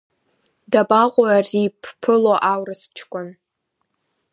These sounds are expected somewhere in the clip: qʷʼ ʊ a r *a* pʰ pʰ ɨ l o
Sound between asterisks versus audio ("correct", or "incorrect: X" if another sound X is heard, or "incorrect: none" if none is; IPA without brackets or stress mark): incorrect: i